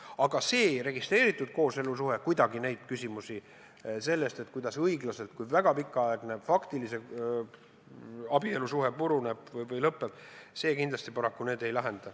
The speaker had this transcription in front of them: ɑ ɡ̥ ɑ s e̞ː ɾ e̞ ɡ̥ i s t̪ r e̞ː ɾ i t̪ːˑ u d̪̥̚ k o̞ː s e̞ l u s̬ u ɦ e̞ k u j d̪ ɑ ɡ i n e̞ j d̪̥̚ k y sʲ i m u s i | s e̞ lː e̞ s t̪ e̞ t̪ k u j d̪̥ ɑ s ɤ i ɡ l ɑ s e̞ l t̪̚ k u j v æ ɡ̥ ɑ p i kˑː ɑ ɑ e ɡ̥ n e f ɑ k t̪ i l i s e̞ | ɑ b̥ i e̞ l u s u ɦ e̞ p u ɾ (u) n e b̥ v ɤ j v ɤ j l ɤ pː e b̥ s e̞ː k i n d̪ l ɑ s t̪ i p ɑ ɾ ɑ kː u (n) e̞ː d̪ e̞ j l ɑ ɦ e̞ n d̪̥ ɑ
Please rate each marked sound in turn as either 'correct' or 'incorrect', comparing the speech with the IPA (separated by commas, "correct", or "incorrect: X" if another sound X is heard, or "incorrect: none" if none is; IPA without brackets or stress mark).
correct, correct